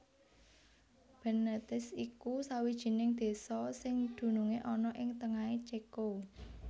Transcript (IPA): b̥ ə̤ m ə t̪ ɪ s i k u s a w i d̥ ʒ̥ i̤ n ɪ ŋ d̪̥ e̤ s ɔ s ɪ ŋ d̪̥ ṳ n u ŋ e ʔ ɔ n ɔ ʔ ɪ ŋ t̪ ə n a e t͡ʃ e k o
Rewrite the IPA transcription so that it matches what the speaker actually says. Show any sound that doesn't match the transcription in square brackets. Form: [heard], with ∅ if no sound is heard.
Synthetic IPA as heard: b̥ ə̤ [n] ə t̪ ɪ s i k u s a w i d̥ ʒ̥ i̤ n ɪ ŋ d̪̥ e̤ s ɔ s ɪ ŋ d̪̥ ṳ n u ŋ e ʔ ɔ n ɔ ʔ ɪ ŋ t̪ ə [ŋ] a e t͡ʃ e k o